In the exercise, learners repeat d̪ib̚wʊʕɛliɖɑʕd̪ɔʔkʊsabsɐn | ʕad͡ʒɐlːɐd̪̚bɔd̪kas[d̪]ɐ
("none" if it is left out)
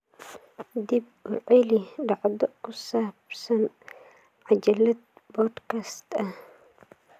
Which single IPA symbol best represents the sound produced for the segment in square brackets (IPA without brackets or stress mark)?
t̪